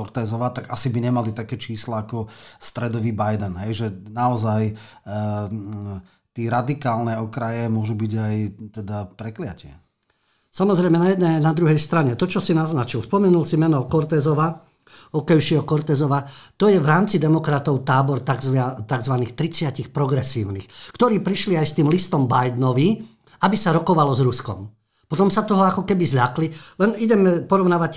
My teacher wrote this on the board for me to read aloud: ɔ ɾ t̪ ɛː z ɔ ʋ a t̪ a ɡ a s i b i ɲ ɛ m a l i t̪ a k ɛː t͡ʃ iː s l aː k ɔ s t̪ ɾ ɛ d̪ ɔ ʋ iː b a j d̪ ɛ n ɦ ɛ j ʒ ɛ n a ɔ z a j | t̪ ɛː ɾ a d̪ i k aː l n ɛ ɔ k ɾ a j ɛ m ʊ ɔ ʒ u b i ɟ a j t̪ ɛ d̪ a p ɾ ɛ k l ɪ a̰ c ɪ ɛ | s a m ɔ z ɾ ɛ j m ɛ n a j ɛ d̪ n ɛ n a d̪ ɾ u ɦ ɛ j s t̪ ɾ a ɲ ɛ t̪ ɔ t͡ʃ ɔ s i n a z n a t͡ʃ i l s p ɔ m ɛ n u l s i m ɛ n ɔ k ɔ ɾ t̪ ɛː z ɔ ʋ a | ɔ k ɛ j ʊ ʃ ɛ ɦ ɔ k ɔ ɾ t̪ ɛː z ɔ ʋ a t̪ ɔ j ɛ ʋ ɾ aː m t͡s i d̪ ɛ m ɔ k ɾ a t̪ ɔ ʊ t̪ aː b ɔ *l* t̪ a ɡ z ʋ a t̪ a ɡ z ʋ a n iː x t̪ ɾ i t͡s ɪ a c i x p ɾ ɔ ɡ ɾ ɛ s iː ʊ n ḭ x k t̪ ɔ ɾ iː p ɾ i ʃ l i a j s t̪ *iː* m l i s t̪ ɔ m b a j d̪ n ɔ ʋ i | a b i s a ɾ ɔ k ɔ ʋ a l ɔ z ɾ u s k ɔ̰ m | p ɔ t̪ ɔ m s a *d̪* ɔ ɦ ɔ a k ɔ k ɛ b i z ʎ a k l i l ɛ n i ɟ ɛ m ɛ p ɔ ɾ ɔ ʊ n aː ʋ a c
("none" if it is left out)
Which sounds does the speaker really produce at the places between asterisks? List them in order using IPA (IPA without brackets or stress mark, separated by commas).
ɾ, iː, t̪